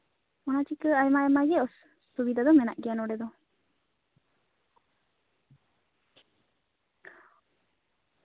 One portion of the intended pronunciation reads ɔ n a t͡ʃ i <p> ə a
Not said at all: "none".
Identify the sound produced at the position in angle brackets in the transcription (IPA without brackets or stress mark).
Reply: k